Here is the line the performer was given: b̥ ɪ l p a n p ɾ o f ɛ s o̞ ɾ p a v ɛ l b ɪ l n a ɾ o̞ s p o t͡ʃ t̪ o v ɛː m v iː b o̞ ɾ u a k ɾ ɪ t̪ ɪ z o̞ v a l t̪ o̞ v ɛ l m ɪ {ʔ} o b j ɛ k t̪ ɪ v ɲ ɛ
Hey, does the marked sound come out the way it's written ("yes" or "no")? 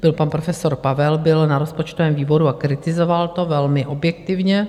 yes